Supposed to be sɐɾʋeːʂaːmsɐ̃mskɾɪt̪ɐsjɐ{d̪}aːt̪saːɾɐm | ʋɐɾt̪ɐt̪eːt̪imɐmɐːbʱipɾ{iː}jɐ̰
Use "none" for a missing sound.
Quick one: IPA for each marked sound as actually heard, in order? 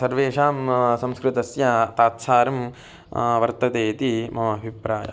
t̪, aː

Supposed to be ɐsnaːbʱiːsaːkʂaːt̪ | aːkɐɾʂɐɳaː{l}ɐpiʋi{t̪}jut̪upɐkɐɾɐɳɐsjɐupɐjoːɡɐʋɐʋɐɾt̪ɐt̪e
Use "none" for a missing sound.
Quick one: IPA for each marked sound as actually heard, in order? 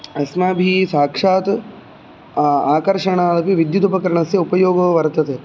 l, d̪

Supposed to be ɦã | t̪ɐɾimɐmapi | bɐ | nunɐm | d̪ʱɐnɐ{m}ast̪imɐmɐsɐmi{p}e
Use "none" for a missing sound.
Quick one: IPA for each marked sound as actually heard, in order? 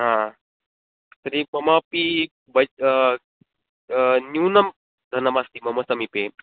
m, p

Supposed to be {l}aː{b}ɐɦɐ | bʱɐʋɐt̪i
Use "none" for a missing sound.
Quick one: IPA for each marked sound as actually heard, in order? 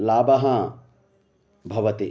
l, b

